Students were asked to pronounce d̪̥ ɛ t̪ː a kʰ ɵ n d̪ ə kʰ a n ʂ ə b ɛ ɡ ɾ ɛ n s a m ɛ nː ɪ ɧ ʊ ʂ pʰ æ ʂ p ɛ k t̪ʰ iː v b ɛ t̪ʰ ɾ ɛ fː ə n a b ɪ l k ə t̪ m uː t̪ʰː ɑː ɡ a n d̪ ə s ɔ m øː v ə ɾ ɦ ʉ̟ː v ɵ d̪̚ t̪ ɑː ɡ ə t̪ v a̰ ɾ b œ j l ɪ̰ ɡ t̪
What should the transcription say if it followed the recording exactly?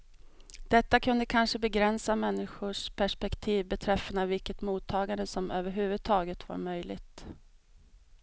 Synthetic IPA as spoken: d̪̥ ɛ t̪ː a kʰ ɵ n d̪ ə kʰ a n ʂ ə b ɛ ɡ ɾ ɛ n s a m ɛ nː ɪ ɧ ʊ ʂ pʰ æ ʂ p ɛ k t̪ʰ iː v b ɛ t̪ʰ ɾ ɛ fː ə n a v ɪ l k ə t̪ m uː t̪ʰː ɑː ɡ a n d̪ ə s ɔ m øː v ə ɾ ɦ ʉ̟ː v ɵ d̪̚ t̪ʰ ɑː ɡ ə t̪ v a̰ ɾ m œ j l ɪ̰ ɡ t̪